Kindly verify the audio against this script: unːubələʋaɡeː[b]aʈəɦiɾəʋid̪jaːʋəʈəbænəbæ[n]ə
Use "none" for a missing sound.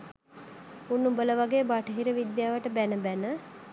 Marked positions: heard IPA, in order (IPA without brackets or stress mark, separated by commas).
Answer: b, n